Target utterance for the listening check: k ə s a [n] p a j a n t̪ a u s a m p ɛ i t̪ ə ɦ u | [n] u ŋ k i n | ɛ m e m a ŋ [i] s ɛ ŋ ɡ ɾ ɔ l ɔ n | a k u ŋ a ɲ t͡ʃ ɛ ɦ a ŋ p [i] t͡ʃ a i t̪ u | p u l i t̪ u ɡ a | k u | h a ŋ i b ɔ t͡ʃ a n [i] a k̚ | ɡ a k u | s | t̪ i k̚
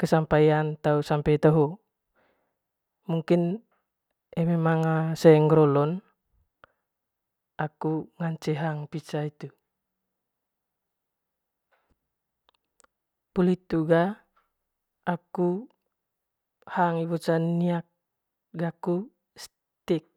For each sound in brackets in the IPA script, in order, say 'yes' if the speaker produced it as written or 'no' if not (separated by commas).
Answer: no, no, no, yes, yes